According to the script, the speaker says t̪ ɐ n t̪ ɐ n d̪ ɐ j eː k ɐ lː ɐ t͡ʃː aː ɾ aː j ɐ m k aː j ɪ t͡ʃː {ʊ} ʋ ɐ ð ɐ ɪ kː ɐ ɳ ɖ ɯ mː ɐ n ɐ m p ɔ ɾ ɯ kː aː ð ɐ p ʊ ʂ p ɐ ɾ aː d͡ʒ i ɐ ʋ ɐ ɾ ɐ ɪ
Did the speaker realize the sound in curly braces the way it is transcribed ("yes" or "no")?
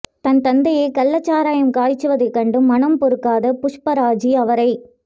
no